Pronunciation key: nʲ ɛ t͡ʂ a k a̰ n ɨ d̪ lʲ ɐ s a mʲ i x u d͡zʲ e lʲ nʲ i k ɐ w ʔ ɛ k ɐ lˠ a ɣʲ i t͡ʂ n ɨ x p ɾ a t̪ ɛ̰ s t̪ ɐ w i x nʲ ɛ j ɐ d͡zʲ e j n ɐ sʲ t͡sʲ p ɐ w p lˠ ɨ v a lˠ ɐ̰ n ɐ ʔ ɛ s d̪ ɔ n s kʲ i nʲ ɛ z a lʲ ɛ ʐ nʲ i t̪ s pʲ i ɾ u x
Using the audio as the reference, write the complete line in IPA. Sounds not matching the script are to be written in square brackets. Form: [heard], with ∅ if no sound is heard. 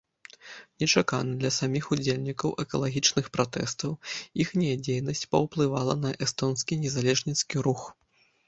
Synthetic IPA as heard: nʲ ɛ t͡ʂ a k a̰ n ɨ d̪ lʲ ɐ s a mʲ i x u d͡zʲ e lʲ nʲ i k ɐ w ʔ ɛ k ɐ lˠ a ɣʲ i t͡ʂ n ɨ x p ɾ a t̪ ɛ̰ s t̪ ɐ w i x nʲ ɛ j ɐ d͡zʲ e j n ɐ sʲ t͡sʲ p ɐ w p lˠ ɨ v a lˠ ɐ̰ n ɐ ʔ ɛ s [t̪] ɔ n s kʲ i nʲ ɛ z a lʲ ɛ ʐ nʲ i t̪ s [kʲ] i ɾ u x